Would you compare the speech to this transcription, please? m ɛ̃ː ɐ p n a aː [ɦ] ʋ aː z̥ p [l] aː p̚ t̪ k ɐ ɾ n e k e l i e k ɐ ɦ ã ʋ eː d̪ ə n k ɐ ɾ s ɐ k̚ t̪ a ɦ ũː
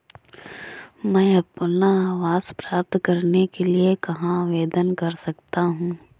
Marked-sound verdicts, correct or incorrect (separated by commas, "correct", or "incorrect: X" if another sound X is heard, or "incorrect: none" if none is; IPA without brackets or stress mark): incorrect: none, incorrect: ɾ